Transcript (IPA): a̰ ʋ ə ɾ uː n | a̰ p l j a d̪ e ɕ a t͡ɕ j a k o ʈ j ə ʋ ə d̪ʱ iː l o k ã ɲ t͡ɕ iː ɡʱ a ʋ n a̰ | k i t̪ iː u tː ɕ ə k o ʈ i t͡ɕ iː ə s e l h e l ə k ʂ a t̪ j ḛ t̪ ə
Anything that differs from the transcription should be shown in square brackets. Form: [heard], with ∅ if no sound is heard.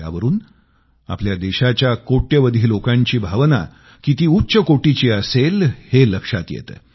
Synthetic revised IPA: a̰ ʋ ə ɾ uː n | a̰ p l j a d̪ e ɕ a t͡ɕ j a k o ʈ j ə ʋ ə d̪ʱ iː l o k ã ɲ t͡ɕ iː [bʱ] a ʋ n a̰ | k i t̪ iː u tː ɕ ə k o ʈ i t͡ɕ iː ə s e l h e l ə k ʂ a t̪ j ḛ t̪ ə